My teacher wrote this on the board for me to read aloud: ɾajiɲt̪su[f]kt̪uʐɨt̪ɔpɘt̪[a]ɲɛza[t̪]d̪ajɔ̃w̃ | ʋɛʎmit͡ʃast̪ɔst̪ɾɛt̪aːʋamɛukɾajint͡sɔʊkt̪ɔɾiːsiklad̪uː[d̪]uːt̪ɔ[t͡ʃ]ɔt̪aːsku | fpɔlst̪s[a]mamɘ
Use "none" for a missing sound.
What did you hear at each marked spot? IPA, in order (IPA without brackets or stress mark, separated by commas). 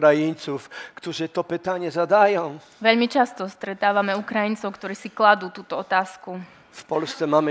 f, a, none, t̪, none, ɛ